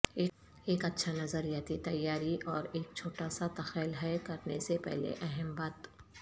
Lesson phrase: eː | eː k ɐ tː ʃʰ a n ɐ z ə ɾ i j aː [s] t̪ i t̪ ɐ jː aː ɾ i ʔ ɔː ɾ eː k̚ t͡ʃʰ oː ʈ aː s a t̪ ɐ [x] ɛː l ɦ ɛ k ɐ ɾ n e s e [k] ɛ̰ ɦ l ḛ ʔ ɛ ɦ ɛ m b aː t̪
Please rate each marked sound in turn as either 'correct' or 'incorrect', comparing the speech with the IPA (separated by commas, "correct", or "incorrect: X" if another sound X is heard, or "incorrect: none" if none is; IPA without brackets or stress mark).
incorrect: none, correct, incorrect: p